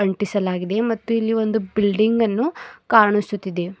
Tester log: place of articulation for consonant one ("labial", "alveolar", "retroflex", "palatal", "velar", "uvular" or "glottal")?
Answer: retroflex